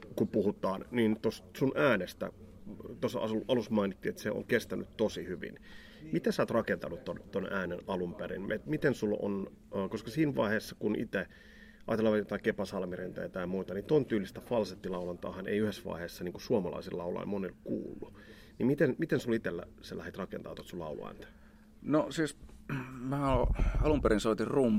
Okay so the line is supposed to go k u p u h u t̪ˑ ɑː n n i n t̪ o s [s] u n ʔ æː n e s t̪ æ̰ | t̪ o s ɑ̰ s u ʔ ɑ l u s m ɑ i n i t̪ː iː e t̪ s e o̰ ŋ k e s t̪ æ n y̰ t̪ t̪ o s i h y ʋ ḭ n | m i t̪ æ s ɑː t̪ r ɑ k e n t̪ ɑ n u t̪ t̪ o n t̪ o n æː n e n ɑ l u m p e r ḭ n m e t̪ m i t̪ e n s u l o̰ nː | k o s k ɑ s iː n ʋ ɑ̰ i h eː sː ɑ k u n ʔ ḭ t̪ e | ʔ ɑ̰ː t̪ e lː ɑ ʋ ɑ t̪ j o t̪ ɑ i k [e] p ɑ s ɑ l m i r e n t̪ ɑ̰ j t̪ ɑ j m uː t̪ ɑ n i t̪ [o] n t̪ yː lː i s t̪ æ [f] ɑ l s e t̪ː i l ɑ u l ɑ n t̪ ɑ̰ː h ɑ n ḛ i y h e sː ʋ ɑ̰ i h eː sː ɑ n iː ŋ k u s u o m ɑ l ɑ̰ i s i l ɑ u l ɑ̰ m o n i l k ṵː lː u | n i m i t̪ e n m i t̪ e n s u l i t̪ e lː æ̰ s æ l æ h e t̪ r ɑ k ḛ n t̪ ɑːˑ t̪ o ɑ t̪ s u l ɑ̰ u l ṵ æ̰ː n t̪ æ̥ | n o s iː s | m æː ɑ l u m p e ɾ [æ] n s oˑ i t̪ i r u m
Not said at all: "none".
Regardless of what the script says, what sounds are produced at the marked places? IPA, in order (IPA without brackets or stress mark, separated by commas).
s, e, o, f, i